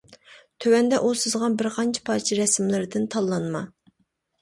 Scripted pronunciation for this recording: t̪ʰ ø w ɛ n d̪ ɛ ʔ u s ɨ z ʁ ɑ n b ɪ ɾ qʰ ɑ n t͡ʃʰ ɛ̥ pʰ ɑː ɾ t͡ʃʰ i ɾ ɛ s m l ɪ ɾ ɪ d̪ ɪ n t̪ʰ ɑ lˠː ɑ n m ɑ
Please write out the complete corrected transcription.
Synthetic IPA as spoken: t̪ʰ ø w ɛ n d̪ ɛ ʔ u s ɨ z ʁ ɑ n b ɪ ɾ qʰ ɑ n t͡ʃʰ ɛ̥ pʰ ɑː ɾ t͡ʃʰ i ɾ ɛ s m l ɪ ɾ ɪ d̪ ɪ n t̪ʰ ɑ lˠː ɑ n m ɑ